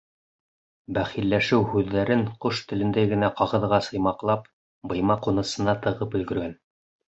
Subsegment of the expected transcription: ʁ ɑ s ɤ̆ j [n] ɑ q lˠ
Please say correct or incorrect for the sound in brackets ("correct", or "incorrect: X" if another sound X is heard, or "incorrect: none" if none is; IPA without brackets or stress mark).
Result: incorrect: m